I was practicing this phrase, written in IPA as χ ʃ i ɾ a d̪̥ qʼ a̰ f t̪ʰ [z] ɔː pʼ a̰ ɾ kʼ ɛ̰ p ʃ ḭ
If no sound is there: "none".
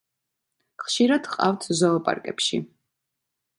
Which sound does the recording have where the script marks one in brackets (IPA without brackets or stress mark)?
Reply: z